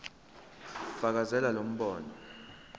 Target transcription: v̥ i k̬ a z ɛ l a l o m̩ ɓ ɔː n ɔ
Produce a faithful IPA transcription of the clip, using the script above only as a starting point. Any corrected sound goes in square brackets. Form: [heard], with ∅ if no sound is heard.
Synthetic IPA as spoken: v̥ [a] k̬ a z ɛ l a l o m̩ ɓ ɔː n ɔ